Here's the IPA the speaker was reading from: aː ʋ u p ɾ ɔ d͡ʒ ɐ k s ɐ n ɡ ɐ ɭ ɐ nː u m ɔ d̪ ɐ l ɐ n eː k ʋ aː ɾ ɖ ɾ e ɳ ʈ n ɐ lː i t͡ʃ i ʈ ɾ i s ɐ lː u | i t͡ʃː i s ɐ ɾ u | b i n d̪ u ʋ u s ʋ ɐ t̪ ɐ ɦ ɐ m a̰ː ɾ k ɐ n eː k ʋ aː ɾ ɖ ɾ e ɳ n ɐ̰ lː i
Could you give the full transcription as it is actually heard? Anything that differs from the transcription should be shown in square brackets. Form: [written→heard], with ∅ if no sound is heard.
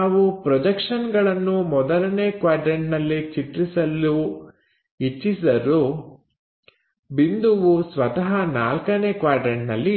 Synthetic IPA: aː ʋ u p ɾ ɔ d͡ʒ ɐ k [s→ʂ] ɐ n ɡ ɐ ɭ ɐ nː u m ɔ d̪ ɐ l ɐ n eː k ʋ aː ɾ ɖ ɾ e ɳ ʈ n ɐ lː i t͡ʃ i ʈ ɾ i s ɐ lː u | i t͡ʃː i s ɐ ɾ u | b i n d̪ u ʋ u s ʋ ɐ t̪ ɐ ɦ ɐ [m→n] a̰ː [ɾ→l] k ɐ n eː k ʋ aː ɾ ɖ ɾ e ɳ n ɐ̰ lː i